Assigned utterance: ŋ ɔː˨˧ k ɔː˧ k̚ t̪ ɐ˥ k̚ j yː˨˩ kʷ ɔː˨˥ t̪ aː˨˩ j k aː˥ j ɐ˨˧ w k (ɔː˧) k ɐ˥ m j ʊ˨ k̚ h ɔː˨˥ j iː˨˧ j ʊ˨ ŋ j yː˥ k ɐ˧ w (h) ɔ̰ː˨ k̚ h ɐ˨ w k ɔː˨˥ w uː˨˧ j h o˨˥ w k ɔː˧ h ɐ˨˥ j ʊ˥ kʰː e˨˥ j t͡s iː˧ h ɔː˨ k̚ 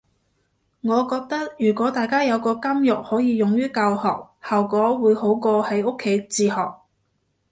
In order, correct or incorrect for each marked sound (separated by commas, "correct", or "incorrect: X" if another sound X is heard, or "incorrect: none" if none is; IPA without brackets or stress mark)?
correct, correct